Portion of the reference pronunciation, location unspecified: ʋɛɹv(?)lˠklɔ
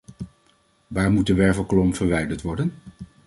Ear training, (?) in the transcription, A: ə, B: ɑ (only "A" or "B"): A